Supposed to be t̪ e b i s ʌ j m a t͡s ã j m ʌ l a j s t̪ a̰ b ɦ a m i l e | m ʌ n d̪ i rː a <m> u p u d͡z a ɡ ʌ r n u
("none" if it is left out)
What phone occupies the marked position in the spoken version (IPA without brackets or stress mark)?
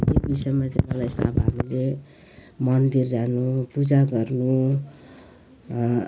n